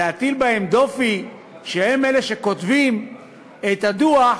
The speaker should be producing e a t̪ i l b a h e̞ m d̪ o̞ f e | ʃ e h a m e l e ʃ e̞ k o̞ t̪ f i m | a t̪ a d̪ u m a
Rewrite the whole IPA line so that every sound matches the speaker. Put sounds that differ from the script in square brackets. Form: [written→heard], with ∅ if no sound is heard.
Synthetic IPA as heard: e a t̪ i l b a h e̞ m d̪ o̞ f [e→i] | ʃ e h [a→e] m e l e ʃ e̞ k o̞ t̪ [f→v] i m | [a→e] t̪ a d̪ u [m→∅] a